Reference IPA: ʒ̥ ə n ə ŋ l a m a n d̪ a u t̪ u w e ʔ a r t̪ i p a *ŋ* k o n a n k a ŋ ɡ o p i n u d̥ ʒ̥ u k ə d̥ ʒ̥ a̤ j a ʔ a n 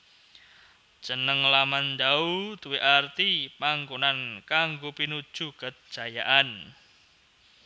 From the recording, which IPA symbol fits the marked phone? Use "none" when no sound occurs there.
ŋ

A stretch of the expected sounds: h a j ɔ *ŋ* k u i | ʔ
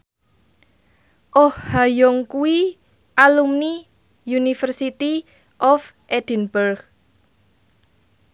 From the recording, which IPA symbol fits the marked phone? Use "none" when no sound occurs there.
ŋ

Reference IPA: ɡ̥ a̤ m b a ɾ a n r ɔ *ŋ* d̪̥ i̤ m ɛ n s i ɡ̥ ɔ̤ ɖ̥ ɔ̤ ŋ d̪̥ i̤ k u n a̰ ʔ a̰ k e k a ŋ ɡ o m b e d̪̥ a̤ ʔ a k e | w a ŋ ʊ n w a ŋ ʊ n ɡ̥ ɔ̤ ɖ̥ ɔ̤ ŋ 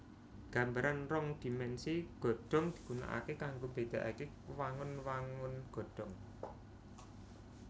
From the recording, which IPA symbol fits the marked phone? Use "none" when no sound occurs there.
ŋ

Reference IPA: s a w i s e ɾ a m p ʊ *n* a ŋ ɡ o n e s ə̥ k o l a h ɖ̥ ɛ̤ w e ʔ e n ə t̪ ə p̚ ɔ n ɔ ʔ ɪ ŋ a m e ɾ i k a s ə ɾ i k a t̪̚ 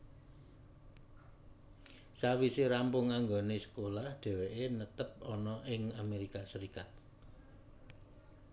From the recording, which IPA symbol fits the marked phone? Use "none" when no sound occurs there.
ŋ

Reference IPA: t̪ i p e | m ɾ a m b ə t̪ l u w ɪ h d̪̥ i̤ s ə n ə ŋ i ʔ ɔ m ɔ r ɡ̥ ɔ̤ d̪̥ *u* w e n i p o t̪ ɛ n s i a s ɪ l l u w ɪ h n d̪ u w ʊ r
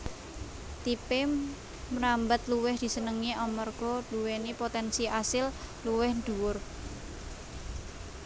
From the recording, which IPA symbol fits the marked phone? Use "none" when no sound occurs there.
u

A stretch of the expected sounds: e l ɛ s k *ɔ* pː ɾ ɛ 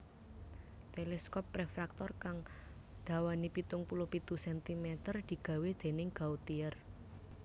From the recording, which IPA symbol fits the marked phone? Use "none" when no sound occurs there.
ɔ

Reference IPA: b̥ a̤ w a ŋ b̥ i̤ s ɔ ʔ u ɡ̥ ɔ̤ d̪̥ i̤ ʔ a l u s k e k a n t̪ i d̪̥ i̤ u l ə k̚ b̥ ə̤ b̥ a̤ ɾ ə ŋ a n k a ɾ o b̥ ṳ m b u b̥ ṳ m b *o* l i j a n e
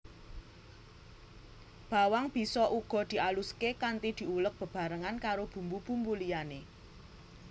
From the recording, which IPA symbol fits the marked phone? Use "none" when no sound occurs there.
u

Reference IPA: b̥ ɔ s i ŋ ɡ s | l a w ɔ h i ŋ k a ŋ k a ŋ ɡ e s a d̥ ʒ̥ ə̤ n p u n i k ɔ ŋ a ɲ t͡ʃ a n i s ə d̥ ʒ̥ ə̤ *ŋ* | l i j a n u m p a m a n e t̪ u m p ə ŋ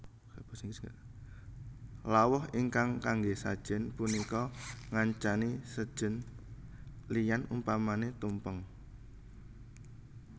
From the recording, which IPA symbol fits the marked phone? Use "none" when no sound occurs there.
n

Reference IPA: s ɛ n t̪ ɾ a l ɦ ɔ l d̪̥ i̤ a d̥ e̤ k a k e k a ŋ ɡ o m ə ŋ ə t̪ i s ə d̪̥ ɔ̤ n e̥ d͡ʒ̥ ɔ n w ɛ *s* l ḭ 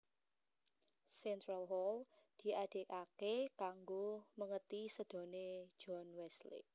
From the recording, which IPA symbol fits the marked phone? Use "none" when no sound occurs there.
s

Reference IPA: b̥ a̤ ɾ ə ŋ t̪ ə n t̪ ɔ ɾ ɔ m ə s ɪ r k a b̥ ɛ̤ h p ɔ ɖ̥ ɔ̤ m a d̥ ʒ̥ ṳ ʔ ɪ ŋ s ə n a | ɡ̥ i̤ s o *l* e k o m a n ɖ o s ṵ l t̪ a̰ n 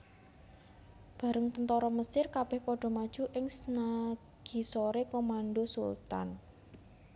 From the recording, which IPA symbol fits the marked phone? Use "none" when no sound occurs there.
ɾ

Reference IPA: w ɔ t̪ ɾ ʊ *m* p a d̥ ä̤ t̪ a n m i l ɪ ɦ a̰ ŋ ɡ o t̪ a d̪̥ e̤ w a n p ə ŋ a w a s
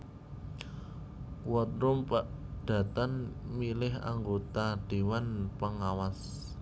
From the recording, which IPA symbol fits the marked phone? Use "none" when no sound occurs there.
m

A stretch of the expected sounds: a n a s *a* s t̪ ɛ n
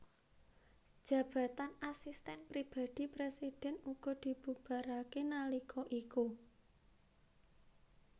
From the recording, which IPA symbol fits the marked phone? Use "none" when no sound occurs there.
i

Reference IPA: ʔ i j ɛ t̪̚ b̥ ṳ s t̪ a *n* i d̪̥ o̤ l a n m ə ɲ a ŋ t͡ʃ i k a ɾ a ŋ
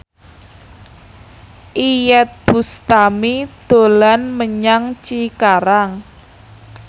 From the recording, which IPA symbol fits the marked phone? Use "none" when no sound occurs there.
m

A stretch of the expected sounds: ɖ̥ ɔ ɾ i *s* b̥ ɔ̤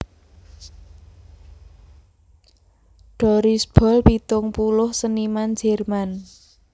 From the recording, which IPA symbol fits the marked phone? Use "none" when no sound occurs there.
s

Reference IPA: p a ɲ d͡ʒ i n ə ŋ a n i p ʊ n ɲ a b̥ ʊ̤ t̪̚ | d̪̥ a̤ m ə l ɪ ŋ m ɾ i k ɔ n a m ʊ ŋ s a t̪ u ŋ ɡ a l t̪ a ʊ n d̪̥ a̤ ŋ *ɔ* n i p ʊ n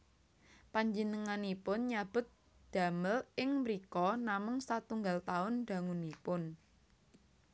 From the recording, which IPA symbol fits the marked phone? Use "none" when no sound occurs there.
u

